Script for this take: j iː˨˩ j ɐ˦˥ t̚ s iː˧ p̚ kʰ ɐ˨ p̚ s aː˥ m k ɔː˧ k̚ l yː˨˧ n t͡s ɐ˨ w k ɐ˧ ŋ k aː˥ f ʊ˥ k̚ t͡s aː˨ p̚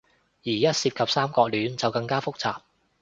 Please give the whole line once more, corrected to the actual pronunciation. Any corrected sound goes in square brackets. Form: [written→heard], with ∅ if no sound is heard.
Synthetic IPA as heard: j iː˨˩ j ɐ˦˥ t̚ s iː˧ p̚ kʰ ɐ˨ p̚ s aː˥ m k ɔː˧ k̚ l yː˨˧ n t͡s ɐ˨ w k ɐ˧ ŋ k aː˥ f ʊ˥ k̚ t͡s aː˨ p̚